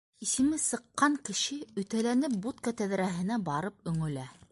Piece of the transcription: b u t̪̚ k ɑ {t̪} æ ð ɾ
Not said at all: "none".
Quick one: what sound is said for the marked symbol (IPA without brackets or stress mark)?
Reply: t̪